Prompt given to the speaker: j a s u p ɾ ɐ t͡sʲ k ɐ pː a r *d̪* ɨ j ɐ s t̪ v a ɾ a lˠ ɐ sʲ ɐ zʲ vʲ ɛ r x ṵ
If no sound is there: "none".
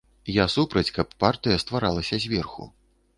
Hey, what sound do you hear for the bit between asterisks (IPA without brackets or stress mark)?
t̪